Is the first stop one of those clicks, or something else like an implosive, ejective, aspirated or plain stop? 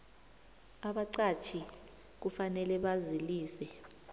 implosive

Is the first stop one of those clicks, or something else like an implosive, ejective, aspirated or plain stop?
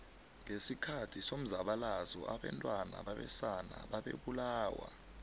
aspirated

